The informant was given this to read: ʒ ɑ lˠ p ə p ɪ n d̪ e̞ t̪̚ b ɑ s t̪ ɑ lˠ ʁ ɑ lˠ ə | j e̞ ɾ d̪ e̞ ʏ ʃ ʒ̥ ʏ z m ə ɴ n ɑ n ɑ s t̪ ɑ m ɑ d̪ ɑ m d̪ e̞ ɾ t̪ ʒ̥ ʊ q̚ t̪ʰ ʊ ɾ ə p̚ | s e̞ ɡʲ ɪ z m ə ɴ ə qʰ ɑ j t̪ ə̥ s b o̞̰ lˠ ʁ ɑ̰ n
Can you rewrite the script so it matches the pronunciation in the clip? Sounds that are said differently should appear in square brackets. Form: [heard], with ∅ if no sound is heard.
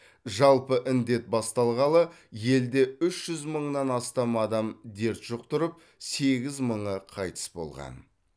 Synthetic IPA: ʒ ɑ lˠ p ə [ʔ] ɪ n d̪ e̞ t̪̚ b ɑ s t̪ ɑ lˠ ʁ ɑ lˠ ə | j e̞ [l] d̪ e̞ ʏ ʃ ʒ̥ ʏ z m ə ɴ n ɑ n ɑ s t̪ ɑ m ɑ d̪ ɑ m d̪ e̞ ɾ t̪ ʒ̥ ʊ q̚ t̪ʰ ʊ ɾ ə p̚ | s e̞ ɡʲ ɪ z m ə ɴ ə qʰ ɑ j t̪ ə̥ s b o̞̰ lˠ ʁ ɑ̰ n

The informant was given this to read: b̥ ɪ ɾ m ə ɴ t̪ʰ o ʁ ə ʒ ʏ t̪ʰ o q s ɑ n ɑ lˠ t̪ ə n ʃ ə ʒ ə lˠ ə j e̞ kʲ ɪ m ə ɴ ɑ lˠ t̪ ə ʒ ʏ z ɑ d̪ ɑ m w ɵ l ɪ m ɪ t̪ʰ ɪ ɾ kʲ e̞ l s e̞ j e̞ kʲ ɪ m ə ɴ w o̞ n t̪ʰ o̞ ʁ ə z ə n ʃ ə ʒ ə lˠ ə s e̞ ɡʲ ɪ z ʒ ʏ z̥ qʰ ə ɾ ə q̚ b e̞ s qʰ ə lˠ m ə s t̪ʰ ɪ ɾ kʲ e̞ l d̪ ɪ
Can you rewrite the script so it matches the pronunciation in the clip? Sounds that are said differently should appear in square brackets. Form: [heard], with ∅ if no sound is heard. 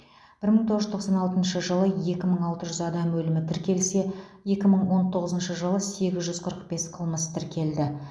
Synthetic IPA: b̥ ɪ ɾ m ə ɴ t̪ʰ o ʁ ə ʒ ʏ t̪ʰ o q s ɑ n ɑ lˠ t̪ ə n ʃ ə ʒ ə lˠ ə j e̞ kʲ ɪ m ə ɴ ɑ lˠ t̪ ə ʒ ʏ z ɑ d̪ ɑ m w ɵ l ɪ m ɪ t̪ʰ ɪ ɾ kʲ e̞ l s e̞ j e̞ kʲ ɪ m ə ɴ w o̞ n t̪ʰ o̞ ʁ ə z ə n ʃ ə ʒ ə lˠ ə s e̞ ɡʲ ɪ z ʒ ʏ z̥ qʰ ə ɾ ə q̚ b e̞ s qʰ ə lˠ m ə s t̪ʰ ɪ ɾ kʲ e̞ l d̪ ɪ

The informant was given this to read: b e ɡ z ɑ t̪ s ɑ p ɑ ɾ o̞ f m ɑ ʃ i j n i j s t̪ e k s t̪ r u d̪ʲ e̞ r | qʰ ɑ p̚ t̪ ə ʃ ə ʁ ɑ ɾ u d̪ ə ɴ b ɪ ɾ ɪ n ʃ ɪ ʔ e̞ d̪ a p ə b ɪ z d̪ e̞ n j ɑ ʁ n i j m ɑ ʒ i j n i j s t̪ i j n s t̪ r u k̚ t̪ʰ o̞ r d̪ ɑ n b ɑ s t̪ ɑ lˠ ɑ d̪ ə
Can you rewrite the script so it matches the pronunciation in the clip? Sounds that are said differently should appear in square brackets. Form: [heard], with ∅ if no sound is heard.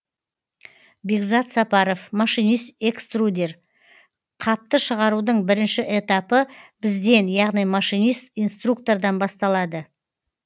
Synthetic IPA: b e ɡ z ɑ t̪ s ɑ p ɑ ɾ o̞ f m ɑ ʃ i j n i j s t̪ e k s t̪ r u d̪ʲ e̞ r | qʰ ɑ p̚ t̪ ə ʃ ə ʁ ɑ ɾ u d̪ ə ɴ b ɪ ɾ ɪ n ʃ ɪ ʔ e̞ [t̪] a p ə b ɪ z d̪ e̞ n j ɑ ʁ n i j m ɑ [ʃ] i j n i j s t̪ i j n s t̪ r u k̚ [t̪] o̞ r d̪ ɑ n b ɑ s t̪ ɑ lˠ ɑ d̪ ə

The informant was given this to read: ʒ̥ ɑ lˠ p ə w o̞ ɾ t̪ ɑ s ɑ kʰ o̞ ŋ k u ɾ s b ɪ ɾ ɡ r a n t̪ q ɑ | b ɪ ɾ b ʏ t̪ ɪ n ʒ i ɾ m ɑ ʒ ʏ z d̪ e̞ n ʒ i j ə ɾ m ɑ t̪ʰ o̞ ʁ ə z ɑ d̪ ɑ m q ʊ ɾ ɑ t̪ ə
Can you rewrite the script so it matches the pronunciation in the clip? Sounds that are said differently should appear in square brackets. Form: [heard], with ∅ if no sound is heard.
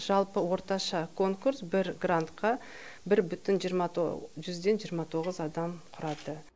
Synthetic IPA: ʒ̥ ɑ lˠ p ə w o̞ ɾ t̪ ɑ [ʃ] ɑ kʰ o̞ ŋ k u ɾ s b ɪ ɾ ɡ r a n t̪ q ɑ | b ɪ ɾ b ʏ t̪ ɪ n ʒ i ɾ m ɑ ʒ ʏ z d̪ e̞ n ʒ i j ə ɾ m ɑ t̪ʰ o̞ ʁ ə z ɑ d̪ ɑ m [qʰ] ʊ ɾ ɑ [d̪] ə

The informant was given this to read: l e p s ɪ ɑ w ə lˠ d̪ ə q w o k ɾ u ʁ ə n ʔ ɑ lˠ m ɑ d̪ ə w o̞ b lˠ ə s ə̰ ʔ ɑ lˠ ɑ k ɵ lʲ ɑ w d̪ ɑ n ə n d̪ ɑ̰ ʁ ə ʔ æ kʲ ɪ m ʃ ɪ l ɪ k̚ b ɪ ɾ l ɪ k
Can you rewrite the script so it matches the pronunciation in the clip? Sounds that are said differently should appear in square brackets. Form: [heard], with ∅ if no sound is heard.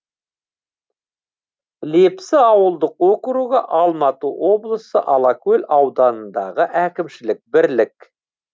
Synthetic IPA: l e p s ɪ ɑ w ə lˠ d̪ ə q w o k ɾ u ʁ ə [∅] ʔ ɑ lˠ m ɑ [t̪] ə w o̞ b lˠ ə s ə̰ ʔ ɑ lˠ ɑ k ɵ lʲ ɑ w d̪ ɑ n ə n d̪ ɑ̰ ʁ ə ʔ æ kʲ ɪ m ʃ ɪ l ɪ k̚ b ɪ ɾ l ɪ k

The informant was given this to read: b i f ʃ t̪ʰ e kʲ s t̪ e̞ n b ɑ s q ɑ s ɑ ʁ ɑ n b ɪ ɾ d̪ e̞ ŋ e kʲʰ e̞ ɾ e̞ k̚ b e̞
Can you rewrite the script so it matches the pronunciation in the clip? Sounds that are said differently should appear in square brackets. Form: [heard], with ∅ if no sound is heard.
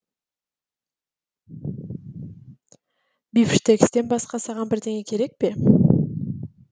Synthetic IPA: b i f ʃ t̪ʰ e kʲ s t̪ e̞ n b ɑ s q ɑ s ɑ ʁ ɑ n b ɪ ɾ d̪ e̞ ŋ e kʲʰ e̞ ɾ e̞ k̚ [p] e̞

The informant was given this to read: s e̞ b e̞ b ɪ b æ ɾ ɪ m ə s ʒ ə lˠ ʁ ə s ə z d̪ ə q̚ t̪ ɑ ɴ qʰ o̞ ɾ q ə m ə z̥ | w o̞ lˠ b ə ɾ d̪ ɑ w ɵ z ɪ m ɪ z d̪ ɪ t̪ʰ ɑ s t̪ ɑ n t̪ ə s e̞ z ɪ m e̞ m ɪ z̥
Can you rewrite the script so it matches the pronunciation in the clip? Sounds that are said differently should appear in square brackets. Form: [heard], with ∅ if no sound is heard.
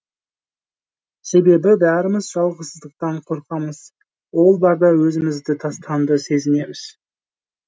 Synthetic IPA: s e̞ b e̞ b ɪ b æ ɾ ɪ m ə [z] ʒ [ɑ] lˠ ʁ ə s ə z d̪ ə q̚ t̪ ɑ ɴ qʰ o̞ ɾ q [ɑ] m ə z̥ | w o̞ lˠ b [ɑ] ɾ d̪ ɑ w ɵ z ɪ m ɪ z d̪ ɪ t̪ʰ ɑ s t̪ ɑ n [d̪] ə s e̞ z ɪ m e̞ m ɪ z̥

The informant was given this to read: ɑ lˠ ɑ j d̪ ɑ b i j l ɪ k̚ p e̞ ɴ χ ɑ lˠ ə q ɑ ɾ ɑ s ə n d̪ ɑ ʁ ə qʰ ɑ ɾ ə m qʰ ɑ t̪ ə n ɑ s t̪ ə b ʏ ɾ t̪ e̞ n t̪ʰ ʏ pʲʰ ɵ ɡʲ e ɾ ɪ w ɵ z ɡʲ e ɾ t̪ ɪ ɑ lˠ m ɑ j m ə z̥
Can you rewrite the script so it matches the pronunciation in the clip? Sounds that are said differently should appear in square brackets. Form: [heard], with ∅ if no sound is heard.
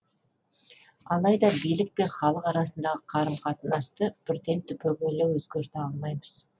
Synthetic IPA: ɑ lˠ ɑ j d̪ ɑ b i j l ɪ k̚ p e̞ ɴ χ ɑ lˠ ə q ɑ ɾ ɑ s ə n d̪ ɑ ʁ ə qʰ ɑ ɾ ə m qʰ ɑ t̪ ə n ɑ s t̪ ə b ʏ ɾ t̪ e̞ n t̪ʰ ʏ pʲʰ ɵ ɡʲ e [l] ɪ w ɵ z ɡʲ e ɾ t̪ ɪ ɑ lˠ m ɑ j m ə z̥

